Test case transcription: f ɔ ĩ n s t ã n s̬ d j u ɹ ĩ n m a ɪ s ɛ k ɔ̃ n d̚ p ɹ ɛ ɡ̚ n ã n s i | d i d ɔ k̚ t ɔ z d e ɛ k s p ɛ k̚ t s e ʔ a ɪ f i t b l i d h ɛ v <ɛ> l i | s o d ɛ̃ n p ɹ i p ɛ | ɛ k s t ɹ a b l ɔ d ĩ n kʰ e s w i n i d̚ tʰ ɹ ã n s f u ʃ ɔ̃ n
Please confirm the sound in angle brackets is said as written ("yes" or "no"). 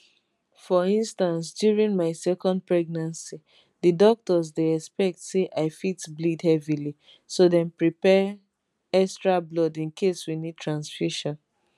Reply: no